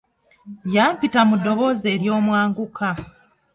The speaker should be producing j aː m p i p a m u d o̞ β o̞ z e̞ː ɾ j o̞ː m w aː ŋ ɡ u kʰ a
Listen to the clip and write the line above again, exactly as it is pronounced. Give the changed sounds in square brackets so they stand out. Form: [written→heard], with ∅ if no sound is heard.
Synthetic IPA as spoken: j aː m p i [p→t] a m u d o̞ β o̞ z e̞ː ɾ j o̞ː m w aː ŋ ɡ u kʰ a